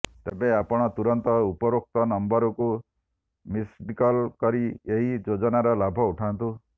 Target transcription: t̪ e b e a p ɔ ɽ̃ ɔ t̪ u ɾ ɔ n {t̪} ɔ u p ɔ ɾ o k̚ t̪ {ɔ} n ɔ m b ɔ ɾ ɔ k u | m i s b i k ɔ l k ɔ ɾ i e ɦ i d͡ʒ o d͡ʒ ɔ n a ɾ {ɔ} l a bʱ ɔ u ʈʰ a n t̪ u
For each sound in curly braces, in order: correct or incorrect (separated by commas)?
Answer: correct, correct, correct